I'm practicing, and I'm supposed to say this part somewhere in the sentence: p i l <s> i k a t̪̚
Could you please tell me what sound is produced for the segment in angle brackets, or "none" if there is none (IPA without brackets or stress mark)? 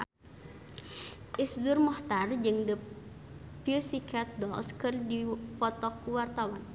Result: s